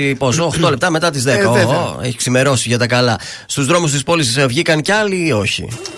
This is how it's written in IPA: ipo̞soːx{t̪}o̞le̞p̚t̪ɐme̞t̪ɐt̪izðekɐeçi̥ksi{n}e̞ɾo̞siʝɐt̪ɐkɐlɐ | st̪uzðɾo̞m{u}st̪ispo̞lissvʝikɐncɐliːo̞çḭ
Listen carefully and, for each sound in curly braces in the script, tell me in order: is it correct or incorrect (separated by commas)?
correct, incorrect, correct